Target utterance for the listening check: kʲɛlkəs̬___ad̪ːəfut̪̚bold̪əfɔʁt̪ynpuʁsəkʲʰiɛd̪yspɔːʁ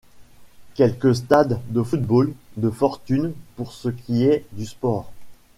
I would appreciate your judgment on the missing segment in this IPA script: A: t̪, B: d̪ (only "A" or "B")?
A